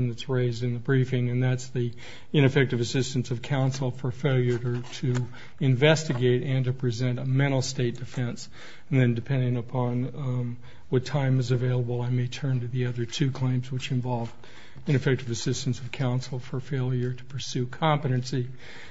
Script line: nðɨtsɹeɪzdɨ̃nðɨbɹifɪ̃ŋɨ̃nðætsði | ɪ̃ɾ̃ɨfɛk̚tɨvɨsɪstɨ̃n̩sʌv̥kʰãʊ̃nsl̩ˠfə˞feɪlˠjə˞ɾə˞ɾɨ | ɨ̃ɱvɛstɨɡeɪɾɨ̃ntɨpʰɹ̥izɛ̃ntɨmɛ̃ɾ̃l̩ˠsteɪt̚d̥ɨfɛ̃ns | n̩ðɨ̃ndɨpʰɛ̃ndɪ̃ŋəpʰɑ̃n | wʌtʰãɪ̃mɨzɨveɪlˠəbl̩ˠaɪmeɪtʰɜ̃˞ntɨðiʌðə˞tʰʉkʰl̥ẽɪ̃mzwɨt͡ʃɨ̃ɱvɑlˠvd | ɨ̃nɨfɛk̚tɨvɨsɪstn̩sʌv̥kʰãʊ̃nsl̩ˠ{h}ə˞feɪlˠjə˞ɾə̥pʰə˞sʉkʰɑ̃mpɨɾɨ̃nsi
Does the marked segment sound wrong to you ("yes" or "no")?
yes